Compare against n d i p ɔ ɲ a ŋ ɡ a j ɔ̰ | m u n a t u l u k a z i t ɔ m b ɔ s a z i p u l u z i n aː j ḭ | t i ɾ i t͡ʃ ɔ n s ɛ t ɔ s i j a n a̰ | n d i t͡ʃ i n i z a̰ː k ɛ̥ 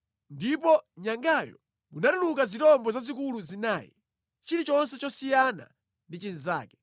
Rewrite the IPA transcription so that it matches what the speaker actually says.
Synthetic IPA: n d i p ɔ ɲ a ŋ ɡ a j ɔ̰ | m u n a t u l u k a z i t ɔ m b ɔ z a z i k u l u z i n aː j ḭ | t͡ʃ i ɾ i t͡ʃ ɔ n s ɛ t͡ʃ ɔ s i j a n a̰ | n d i t͡ʃ i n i z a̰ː k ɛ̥